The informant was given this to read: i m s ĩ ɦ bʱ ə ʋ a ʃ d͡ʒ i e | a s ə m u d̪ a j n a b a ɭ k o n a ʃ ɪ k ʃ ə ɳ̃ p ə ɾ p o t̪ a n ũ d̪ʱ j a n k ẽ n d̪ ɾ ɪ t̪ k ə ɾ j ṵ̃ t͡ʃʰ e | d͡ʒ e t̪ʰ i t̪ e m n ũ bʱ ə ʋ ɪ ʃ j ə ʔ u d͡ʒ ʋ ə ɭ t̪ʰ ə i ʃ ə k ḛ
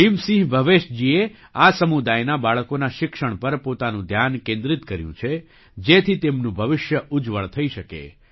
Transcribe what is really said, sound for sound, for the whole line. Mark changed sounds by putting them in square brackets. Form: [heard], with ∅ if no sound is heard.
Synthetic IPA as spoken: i m s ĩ ɦ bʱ ə ʋ [e] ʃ d͡ʒ i e | a s ə m u d̪ a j n a b a ɭ k o n a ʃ ɪ k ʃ ə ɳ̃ p ə ɾ p o t̪ a n ũ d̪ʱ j a n k ẽ n d̪ ɾ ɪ t̪ k ə ɾ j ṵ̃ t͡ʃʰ e | d͡ʒ e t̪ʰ i t̪ e m n ũ bʱ ə ʋ ɪ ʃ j ə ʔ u d͡ʒ ʋ ə ɭ t̪ʰ ə i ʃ ə k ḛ